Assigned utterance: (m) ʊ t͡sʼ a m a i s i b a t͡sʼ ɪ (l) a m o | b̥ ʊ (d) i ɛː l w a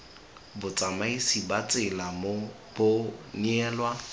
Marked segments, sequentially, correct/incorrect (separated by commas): incorrect, correct, incorrect